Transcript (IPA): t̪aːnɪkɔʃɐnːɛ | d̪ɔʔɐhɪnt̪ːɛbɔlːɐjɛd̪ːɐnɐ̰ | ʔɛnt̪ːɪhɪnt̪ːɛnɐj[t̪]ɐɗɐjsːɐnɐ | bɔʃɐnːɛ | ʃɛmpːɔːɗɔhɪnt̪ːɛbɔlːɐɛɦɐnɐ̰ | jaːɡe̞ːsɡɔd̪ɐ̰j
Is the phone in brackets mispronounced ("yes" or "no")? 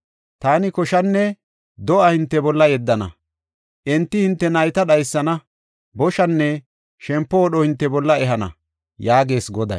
no